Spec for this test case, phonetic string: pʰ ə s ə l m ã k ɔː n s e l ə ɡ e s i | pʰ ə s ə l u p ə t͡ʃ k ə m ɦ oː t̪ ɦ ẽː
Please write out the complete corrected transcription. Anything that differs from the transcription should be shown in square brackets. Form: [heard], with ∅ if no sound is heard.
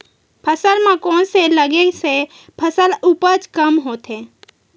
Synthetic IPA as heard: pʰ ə s ə l m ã k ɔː n s e l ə ɡ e s [e] | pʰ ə s ə l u p ə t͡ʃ k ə m ɦ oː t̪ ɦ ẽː